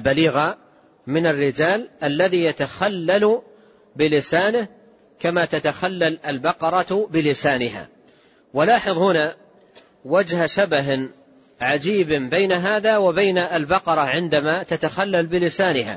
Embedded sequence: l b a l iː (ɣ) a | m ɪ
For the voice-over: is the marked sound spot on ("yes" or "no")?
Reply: yes